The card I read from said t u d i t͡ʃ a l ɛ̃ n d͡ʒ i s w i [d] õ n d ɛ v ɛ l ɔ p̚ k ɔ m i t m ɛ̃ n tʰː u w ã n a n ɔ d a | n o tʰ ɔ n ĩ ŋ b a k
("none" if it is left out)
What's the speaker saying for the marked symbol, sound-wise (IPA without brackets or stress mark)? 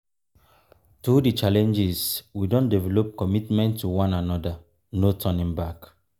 d